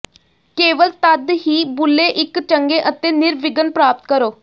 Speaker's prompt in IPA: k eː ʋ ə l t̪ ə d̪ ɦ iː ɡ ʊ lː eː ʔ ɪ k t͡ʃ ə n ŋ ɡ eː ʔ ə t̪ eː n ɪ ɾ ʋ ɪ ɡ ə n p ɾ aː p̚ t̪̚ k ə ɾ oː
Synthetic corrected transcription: k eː ʋ ə l t̪ ə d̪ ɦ iː b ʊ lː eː ʔ ɪ k t͡ʃ ə ŋ ɡ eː ʔ ə t̪ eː n ɪ ɾ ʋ ɪ ɡ ə n p ɾ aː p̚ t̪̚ k ə ɾ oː